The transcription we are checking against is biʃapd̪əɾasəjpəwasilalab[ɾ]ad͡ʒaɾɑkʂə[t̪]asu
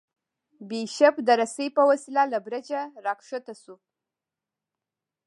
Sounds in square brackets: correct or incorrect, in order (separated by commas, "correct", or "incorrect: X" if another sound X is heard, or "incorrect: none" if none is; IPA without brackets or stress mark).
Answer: correct, correct